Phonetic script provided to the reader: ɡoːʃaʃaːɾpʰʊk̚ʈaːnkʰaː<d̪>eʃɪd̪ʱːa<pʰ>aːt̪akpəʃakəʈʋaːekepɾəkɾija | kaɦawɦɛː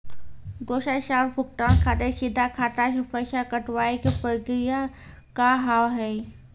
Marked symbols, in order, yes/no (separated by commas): no, no